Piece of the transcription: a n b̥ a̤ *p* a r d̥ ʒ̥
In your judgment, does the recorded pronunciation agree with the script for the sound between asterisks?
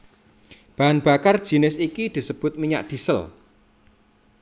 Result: no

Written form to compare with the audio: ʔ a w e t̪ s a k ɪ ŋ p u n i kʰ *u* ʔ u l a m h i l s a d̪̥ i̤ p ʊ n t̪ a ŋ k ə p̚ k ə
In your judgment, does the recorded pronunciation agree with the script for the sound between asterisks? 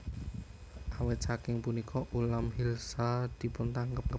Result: no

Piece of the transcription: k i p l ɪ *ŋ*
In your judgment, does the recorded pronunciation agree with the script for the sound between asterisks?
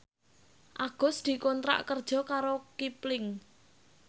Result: yes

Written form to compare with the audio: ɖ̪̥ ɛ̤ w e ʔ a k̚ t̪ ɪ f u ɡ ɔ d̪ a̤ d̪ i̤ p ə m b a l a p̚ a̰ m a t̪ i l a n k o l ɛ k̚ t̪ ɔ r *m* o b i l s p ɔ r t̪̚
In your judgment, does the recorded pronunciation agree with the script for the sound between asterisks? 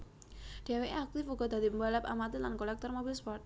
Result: yes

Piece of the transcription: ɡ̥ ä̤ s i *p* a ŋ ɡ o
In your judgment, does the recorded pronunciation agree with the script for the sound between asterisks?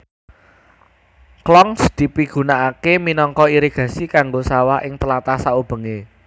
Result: no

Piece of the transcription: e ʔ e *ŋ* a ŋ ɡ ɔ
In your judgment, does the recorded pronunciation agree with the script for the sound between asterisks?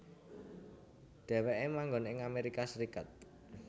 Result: no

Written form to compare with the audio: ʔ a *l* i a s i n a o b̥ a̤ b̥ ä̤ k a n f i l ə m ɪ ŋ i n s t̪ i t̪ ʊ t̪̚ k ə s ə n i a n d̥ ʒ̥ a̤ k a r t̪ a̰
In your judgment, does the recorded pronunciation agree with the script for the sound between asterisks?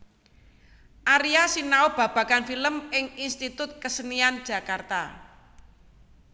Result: no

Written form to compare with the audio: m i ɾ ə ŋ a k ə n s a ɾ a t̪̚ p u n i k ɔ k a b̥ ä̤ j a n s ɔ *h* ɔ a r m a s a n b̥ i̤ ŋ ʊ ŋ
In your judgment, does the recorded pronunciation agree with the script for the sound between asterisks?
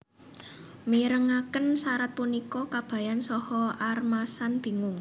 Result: yes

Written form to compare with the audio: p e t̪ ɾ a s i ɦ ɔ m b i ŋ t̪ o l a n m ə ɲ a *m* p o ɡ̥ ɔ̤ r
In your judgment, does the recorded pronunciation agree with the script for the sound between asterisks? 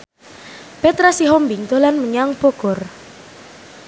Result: no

